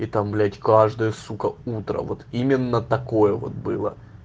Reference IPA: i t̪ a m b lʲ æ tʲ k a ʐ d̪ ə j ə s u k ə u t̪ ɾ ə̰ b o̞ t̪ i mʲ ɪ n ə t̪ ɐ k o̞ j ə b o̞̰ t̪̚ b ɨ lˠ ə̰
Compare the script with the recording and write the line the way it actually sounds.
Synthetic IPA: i t̪ a m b lʲ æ tʲ k a ʐ d̪ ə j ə s u k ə u t̪ ɾ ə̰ v o̞ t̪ i mʲ ɪ nː ə t̪ ɐ k o̞ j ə v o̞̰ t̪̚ b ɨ lˠ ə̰